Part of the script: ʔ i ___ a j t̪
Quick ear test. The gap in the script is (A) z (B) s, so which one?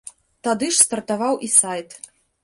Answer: B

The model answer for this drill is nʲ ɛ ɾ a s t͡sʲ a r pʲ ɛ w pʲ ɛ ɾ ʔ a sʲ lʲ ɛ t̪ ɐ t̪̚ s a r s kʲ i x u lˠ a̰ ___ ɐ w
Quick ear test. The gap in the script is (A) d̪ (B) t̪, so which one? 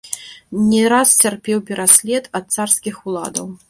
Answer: A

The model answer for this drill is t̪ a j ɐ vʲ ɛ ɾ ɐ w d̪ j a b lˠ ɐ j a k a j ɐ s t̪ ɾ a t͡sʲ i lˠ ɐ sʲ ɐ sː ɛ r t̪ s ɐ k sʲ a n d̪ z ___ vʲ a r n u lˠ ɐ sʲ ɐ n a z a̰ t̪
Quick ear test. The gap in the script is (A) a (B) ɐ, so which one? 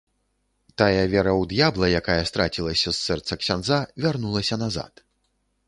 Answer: A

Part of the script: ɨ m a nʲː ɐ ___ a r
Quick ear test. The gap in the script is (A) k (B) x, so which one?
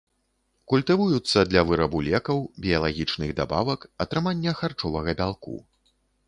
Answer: B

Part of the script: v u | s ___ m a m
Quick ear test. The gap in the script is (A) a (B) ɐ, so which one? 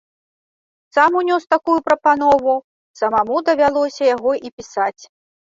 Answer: B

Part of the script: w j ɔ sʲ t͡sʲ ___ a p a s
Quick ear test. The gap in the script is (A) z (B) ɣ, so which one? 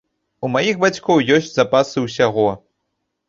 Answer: A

